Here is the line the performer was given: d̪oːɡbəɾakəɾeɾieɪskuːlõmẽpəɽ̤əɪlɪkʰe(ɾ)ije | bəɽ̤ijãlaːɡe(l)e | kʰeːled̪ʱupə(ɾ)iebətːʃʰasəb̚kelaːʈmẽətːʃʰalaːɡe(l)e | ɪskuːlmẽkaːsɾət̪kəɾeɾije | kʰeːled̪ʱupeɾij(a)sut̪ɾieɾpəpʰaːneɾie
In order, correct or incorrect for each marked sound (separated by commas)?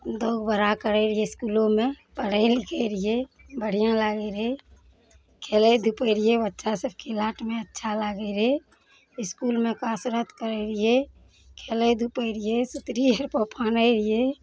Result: correct, incorrect, correct, incorrect, incorrect